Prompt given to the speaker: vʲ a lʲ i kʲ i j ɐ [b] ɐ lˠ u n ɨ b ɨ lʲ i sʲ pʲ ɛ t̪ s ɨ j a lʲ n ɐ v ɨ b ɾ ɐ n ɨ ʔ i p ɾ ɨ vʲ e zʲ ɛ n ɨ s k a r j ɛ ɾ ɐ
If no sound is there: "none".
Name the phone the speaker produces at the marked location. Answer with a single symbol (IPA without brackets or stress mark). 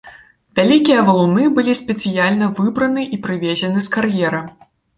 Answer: v